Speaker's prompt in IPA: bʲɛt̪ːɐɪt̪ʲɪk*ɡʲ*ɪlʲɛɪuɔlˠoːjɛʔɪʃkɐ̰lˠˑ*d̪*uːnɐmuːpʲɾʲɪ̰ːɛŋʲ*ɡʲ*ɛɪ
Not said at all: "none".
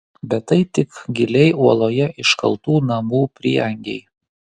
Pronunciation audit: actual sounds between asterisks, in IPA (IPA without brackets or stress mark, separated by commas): ɡʲ, t̪, ɡʲ